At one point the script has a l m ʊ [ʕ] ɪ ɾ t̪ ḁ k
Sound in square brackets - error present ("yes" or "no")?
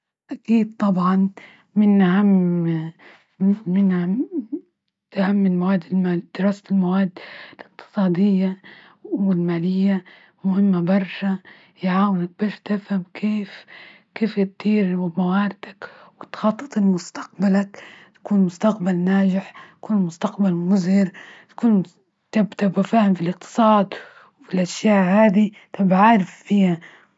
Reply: yes